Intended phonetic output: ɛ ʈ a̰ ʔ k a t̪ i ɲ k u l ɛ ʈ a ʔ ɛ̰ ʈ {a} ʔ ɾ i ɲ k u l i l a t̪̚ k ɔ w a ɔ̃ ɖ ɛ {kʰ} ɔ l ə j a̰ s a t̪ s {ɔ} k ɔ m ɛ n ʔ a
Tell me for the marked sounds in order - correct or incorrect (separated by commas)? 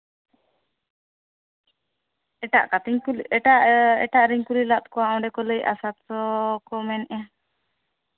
correct, incorrect, correct